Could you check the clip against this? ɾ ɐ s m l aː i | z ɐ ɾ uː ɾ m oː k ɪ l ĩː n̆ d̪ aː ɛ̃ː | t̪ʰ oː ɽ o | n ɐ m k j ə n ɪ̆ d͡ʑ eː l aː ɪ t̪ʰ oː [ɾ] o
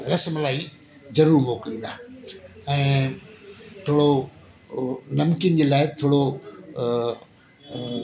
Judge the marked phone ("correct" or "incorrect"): incorrect